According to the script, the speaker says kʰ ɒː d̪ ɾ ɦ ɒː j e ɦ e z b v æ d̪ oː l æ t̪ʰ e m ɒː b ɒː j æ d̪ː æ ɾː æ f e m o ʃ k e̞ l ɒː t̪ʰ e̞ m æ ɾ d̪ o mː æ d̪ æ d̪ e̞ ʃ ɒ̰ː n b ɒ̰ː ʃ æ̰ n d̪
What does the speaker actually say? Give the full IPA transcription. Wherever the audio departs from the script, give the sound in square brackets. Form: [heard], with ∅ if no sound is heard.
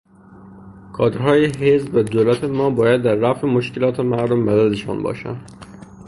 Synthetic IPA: kʰ ɒː d̪ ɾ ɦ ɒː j e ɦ e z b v æ d̪ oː l æ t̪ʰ e m ɒː b ɒː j æ d̪ː æ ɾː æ f e m o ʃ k e̞ l ɒː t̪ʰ e̞ m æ ɾ d̪ o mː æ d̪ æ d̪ e̞ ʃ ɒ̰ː n b ɒ̰ː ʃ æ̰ n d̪